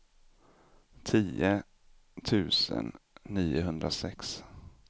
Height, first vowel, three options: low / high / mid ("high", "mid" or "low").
high